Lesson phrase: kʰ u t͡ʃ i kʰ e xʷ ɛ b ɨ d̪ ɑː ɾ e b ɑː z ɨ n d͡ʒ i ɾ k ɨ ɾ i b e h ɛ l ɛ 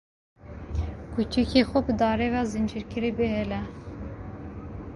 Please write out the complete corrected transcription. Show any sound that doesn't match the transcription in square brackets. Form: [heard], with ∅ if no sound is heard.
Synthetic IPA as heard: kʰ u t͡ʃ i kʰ e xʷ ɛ b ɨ d̪ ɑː ɾ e [v] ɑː z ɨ n d͡ʒ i ɾ k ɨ ɾ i b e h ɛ l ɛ